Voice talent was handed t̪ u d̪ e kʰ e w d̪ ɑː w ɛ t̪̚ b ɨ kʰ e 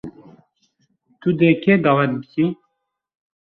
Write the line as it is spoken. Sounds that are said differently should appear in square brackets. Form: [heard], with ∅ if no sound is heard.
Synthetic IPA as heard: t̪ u d̪ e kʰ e [∅] d̪ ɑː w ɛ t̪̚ b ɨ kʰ [i]